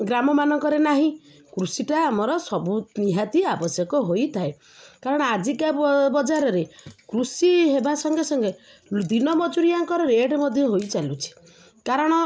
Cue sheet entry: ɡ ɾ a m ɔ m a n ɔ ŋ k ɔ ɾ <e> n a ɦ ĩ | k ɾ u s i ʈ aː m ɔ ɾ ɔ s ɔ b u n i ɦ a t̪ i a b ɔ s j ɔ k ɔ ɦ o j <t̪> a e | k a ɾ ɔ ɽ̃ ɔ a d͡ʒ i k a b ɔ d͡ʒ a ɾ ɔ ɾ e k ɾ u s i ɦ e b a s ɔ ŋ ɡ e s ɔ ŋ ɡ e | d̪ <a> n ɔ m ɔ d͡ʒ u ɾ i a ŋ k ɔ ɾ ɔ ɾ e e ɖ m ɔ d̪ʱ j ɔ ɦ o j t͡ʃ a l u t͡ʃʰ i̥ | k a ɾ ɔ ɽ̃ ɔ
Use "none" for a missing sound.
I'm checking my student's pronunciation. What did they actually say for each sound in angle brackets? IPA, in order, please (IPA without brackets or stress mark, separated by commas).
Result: e, t̪ʰ, i